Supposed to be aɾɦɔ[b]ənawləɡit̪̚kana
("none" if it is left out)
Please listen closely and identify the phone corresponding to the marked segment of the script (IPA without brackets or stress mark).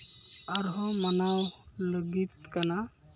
m